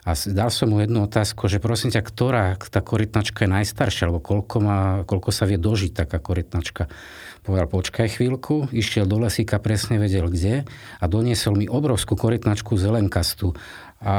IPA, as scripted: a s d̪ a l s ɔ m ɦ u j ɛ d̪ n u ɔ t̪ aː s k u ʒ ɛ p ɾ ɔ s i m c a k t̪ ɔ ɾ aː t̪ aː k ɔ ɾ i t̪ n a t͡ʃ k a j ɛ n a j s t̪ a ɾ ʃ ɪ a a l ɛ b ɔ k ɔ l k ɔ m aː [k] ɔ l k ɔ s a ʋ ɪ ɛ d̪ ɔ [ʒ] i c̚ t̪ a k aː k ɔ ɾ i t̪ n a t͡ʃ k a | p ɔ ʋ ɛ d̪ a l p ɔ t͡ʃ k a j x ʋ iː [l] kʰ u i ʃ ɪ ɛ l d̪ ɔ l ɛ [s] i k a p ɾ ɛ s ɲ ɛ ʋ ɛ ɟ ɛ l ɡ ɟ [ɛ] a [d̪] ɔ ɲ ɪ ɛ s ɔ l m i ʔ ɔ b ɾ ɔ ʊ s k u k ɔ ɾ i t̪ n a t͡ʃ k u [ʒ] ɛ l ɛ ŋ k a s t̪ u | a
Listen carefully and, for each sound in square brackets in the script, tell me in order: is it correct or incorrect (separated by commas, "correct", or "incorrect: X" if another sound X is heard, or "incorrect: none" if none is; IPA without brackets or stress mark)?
correct, correct, correct, correct, correct, correct, incorrect: z